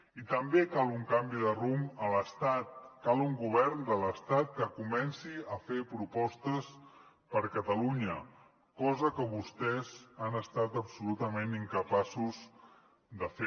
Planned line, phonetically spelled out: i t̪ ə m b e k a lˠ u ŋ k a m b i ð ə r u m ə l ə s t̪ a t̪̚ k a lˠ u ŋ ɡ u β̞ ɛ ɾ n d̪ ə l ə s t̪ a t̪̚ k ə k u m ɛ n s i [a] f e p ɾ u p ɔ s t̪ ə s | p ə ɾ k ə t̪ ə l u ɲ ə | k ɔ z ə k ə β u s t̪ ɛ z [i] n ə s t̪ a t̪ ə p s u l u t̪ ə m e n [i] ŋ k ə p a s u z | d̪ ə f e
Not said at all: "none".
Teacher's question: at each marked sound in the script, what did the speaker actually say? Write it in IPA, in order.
ə, a, i

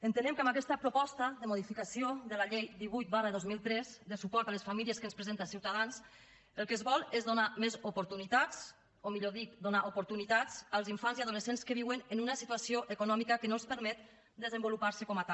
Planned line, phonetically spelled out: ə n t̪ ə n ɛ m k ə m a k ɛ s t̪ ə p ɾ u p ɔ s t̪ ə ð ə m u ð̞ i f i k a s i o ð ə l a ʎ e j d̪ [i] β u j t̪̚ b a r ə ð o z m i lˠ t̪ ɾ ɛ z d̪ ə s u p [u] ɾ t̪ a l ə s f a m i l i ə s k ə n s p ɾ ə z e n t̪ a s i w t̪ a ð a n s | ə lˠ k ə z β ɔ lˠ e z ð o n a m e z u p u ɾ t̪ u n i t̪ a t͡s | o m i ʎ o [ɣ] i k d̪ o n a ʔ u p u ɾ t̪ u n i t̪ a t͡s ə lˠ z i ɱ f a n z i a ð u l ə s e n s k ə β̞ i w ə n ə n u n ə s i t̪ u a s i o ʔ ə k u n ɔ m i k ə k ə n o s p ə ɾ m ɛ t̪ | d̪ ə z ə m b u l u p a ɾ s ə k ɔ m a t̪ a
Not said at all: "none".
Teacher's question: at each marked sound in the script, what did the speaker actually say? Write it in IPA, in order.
i, ɔ, ð

